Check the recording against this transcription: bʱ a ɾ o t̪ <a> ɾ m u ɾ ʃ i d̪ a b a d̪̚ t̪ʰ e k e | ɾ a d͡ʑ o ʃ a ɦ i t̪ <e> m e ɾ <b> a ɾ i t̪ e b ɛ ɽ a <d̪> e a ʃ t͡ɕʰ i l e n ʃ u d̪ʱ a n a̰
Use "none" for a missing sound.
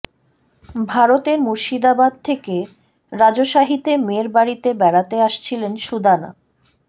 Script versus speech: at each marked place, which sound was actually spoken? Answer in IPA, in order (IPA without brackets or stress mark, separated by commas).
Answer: e, e, b, t̪